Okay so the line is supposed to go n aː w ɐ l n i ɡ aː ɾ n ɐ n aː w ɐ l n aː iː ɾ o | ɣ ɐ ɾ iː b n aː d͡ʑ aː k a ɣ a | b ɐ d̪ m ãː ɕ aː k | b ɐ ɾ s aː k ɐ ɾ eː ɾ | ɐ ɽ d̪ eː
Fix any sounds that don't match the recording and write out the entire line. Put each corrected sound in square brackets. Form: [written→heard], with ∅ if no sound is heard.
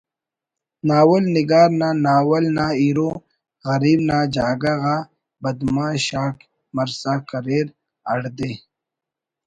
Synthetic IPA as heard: n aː w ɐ l n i ɡ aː ɾ n [ɐ→a] n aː w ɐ l n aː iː ɾ o | ɣ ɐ ɾ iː b n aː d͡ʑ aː [k→ɡ] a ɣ a | b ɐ d̪ m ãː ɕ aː k | [b→m] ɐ ɾ s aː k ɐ ɾ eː ɾ | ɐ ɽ d̪ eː